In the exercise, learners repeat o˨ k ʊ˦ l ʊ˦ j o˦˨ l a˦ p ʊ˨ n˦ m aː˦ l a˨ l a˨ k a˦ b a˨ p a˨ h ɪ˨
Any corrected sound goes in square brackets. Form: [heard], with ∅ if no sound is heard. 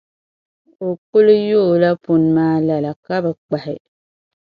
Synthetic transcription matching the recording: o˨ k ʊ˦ l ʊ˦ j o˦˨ l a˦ p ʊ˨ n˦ m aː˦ l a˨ l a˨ k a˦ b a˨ [k͡p] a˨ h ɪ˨